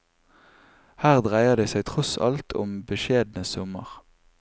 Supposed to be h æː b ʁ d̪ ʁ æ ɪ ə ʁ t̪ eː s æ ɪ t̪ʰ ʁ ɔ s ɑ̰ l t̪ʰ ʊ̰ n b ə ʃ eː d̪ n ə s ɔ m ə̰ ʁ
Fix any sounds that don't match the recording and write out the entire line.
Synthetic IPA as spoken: h æː ʁ d̪ ʁ æ ɪ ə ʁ d̪ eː s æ ɪ t̪ʰ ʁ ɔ s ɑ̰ l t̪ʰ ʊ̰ m b ə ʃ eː d̪ n ə s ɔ m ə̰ ʁ

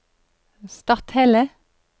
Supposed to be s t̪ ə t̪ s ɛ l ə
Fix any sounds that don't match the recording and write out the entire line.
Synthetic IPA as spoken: s t̪ ɑ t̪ h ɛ l ə

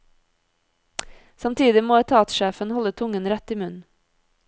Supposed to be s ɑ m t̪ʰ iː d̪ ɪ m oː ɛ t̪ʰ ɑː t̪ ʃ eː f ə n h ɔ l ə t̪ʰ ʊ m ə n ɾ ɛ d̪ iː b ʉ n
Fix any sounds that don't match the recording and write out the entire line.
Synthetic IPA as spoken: s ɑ m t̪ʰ iː d̪ ɪ m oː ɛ t̪ʰ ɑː t̪ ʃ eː f ə n h ɔ l ə t̪ʰ ʊ ŋ ə n ɾ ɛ t̪ iː m ʉ n

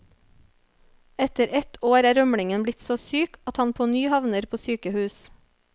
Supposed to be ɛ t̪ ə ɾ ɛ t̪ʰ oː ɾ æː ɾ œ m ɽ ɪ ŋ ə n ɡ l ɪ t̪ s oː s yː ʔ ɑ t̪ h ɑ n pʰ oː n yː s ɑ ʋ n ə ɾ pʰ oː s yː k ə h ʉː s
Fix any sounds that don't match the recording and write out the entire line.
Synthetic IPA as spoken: ɛ t̪ ə ɾ ɛ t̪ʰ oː ɾ æː ɾ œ m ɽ ɪ ŋ ə n b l ɪ t̪ s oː s yː k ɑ t̪ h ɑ n pʰ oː n yː h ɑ ʋ n ə ɾ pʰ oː s yː k ə h ʉː s

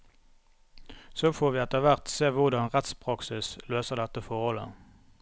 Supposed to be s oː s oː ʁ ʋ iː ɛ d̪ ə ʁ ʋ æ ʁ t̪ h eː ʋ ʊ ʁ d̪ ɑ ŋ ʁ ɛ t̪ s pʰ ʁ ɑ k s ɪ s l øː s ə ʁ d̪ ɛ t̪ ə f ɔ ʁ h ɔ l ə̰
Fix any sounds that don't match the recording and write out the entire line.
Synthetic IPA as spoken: s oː f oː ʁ ʋ iː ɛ t̪ ə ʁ ʋ æ ʁ t̪ s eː ʋ ʊ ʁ d̪ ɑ n ʁ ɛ t̪ s pʰ ʁ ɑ k s ɪ s l øː s ə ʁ d̪ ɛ t̪ ə f ɔ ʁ h ɔ l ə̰

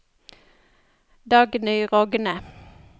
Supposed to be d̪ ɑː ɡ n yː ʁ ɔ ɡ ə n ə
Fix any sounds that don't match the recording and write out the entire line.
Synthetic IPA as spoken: d̪ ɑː ɡ n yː ʁ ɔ ɡ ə n ə

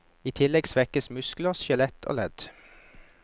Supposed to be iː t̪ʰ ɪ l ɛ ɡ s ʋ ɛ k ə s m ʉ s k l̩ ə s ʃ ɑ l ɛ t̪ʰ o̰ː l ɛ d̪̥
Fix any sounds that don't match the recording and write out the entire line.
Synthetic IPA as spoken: iː t̪ʰ ɪ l ɛ ɡ s ʋ ɛ k ə s m ʉ s k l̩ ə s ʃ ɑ l ɛ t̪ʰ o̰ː l ɛ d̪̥

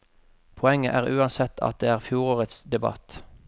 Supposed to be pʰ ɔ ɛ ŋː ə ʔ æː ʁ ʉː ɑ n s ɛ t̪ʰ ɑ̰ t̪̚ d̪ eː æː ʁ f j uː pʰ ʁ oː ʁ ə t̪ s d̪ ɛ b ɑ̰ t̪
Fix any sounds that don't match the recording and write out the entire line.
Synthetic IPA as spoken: pʰ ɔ ɛ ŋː ə ʔ æː ʁ ʉː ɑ n s ɛ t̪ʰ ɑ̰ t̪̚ d̪ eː æː ʁ f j uː ʁ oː ʁ ə t̪ s d̪ ɛ b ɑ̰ t̪

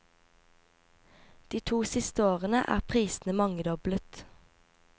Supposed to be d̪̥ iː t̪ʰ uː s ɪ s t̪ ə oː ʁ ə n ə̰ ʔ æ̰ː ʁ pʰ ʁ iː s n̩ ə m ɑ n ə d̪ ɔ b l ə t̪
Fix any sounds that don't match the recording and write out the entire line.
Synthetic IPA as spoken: d̪̥ iː t̪ʰ uː s ɪ s t̪ ə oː ʁ ə n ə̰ ʔ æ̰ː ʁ pʰ ʁ iː s n̩ ə m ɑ ŋ ə d̪ ɔ b l ə t̪

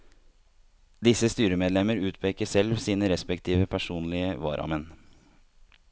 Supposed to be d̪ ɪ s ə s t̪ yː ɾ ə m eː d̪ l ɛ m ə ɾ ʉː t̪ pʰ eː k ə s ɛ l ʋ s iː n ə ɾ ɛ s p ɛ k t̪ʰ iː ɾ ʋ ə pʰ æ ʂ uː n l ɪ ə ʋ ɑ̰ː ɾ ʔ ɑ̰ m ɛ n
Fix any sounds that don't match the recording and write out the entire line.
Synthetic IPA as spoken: d̪ ɪ s ə s t̪ yː ɾ ə m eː d̪ l ɛ m ə ɾ ʉː t̪ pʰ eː k ə s ɛ l ʋ s iː n ə ɾ ɛ s p ɛ k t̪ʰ iː ʋ ə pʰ æ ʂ uː n l ɪ ə ʋ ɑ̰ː ɾ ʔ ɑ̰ m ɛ n

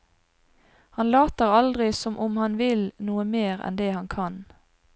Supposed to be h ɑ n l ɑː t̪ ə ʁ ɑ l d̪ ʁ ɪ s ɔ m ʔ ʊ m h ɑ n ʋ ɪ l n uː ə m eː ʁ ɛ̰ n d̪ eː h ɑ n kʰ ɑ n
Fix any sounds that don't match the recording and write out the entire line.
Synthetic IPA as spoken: h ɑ n l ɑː t̪ ə ʁ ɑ l d̪ ʁ ɪ s ɔ m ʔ ʊ m h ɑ n ʋ ɪ l n uː ə m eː ʁ ɛ̰ n d̪ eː h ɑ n kʰ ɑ n

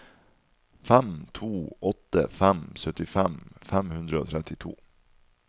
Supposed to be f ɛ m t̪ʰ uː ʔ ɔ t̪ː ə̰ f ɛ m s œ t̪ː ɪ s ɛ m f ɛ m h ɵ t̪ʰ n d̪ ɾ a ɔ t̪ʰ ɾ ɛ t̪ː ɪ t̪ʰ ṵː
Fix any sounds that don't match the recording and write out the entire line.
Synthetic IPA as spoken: f ɛ m t̪ʰ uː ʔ ɔ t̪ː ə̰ f ɛ m s œ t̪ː ɪ f ɛ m f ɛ m h ɵ n d̪ ɾ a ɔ t̪ʰ ɾ ɛ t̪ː ɪ t̪ʰ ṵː

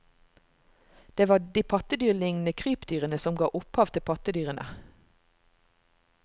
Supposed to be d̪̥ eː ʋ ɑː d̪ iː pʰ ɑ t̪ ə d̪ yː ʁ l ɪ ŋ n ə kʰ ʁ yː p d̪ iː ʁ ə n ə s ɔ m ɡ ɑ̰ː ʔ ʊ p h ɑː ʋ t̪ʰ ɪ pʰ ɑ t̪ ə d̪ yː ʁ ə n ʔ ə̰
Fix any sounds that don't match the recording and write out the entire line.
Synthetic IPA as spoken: d̪̥ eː ʋ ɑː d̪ iː pʰ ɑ t̪ ə d̪ yː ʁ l ɪ ŋ n ə kʰ ʁ yː p d̪ yː ʁ ə n ə s ɔ m ɡ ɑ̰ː ʔ ʊ p h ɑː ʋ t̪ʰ ɪ pʰ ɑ t̪ ə d̪ yː ʁ ə n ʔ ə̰

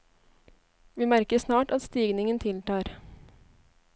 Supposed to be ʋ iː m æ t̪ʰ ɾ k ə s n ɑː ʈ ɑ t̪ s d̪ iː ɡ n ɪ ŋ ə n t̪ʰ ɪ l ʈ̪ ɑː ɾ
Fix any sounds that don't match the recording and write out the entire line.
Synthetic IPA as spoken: ʋ iː m æ ɾ k ə s n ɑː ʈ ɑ t̪ s t̪ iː ɡ n ɪ ŋ ə n t̪ʰ ɪ l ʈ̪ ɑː ɾ

